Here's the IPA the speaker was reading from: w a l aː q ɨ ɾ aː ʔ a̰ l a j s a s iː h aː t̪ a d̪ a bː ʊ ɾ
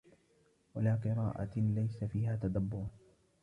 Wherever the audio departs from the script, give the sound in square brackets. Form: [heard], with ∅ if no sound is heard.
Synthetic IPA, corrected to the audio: w a l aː q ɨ ɾ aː ʔ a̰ l a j s a [f] iː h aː t̪ a d̪ a bː ʊ ɾ